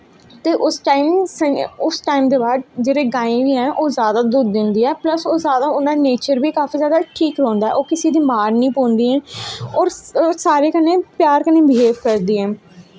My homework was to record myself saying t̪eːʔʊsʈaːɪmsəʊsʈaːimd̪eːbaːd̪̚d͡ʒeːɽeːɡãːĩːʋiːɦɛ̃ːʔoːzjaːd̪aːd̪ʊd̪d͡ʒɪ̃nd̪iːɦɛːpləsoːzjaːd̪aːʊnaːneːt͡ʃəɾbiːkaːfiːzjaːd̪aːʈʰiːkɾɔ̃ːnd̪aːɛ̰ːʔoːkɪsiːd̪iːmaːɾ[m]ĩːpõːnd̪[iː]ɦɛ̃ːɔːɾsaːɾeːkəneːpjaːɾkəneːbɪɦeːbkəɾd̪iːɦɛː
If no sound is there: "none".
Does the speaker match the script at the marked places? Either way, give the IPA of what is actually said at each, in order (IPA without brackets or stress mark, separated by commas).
n, iː